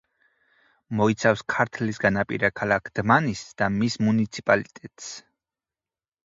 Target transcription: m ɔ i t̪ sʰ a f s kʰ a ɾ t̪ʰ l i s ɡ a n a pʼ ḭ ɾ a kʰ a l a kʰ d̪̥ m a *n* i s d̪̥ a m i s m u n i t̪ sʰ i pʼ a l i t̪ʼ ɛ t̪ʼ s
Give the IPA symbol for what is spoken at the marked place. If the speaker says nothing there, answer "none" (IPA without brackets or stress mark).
n